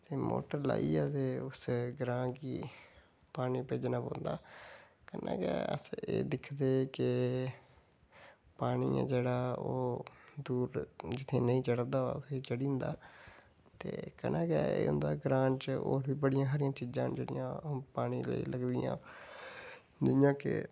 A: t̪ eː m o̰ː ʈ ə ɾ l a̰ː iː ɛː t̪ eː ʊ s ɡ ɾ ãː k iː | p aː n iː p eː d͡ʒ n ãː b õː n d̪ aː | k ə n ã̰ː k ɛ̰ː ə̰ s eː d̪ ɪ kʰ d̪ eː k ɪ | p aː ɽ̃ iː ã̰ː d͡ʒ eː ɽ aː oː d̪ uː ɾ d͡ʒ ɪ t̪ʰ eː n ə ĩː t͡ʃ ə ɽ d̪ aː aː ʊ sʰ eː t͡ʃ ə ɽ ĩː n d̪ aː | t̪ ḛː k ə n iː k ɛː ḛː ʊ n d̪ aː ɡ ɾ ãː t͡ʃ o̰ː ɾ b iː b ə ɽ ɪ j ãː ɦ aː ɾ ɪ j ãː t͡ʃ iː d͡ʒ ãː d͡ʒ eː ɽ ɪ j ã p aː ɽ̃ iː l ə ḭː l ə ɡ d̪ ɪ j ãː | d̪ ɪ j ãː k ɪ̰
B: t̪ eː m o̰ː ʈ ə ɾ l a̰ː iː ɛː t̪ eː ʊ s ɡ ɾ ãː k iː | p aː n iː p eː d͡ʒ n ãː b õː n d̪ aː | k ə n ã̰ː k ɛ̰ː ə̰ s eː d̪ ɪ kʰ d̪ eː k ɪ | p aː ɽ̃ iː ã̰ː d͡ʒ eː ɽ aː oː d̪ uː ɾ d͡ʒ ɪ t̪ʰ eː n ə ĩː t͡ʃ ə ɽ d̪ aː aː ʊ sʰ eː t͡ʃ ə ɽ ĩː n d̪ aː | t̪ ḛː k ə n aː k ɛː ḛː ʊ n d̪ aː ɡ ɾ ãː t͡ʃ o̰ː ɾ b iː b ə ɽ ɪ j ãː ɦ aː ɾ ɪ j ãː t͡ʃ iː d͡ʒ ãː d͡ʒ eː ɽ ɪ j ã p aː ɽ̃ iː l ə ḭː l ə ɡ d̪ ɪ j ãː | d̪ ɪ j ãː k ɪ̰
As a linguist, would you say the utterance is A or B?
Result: B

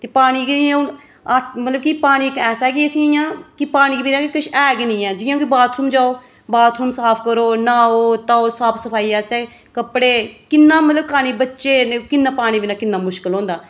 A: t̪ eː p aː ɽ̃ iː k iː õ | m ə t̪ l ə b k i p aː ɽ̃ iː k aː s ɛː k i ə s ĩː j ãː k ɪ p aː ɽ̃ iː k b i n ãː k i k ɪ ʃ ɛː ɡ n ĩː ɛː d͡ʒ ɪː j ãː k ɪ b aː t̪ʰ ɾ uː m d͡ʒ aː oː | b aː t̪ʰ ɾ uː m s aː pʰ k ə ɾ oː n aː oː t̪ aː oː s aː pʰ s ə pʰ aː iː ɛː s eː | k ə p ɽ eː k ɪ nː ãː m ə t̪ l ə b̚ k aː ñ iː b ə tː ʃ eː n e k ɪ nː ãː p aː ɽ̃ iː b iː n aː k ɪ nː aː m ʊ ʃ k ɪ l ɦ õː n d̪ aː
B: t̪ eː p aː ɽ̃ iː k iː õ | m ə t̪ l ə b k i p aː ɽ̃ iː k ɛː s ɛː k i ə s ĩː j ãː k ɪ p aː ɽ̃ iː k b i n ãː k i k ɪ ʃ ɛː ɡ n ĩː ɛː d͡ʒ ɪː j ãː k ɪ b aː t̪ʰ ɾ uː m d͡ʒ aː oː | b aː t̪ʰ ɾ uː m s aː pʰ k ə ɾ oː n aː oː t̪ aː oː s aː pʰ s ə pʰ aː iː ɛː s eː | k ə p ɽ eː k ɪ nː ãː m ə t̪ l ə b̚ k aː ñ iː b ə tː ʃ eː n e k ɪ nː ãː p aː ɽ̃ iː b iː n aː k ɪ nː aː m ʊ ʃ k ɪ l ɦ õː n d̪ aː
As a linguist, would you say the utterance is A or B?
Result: B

